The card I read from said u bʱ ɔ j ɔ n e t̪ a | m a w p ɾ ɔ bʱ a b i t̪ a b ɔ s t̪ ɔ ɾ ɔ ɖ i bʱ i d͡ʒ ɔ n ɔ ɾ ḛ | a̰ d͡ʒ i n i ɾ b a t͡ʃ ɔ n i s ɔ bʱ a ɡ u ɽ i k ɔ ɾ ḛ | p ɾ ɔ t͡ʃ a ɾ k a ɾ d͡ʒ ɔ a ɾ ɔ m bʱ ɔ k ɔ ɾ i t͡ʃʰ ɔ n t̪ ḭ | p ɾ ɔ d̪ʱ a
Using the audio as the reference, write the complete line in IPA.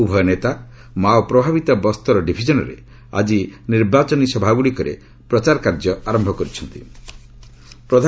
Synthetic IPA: u bʱ ɔ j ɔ n e t̪ a | m a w p ɾ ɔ bʱ a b i t̪ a b ɔ s t̪ ɔ ɾ ɔ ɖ i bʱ i d͡ʒ ɔ n ɔ ɾ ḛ | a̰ d͡ʒ i n i ɾ b a t͡ʃ ɔ n i s ɔ bʱ a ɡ u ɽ i k ɔ ɾ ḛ | p ɾ ɔ t͡ʃ a ɾ k a ɾ d͡ʒ ɔ a ɾ ɔ m bʱ ɔ k ɔ ɾ i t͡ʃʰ ɔ n t̪ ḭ | p ɾ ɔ d̪ʱ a